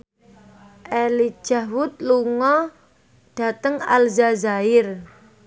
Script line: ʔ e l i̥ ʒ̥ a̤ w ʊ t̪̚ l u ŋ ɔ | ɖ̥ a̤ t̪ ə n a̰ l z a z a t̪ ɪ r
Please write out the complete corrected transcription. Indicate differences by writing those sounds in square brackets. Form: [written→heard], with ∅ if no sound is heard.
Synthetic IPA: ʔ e l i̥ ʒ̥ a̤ w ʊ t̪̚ l u ŋ ɔ | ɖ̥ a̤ t̪ ə [n→ŋ] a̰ l z a z a [t̪→∅] ɪ r